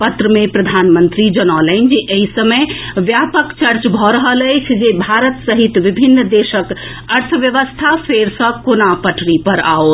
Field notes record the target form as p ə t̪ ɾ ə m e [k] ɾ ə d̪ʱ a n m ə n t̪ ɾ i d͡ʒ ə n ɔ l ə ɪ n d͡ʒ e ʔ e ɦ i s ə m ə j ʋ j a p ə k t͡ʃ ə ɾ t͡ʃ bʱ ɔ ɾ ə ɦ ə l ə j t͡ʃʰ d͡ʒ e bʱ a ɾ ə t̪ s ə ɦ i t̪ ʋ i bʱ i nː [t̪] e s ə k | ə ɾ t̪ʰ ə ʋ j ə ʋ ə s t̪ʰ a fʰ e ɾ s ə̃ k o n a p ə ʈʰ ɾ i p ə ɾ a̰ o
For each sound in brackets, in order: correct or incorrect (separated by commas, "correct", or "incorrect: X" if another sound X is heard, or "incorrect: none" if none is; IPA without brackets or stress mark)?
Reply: incorrect: p, incorrect: d̪